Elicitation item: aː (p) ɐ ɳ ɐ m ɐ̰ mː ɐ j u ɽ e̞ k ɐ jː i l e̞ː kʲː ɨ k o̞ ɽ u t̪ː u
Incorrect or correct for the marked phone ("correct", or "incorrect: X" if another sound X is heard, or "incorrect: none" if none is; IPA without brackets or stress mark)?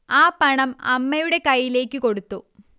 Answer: correct